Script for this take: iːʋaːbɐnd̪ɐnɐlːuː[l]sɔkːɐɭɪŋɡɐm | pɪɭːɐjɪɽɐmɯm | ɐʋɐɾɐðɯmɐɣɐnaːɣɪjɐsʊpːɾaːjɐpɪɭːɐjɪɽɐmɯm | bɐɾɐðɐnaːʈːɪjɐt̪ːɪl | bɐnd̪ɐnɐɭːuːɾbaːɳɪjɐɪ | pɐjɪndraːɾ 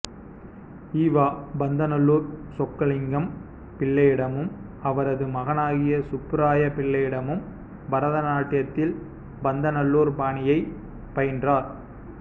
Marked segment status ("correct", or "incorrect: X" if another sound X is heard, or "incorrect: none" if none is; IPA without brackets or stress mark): incorrect: ɾ